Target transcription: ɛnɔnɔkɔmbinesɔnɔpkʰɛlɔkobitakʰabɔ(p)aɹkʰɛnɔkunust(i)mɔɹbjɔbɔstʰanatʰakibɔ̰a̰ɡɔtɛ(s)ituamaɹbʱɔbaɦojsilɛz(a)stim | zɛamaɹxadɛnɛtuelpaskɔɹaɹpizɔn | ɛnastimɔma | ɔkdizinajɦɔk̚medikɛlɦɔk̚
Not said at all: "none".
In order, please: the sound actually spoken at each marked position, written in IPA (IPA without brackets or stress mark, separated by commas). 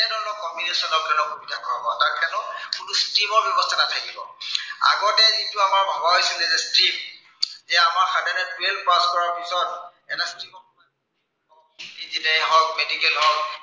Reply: t, i, z, ɛ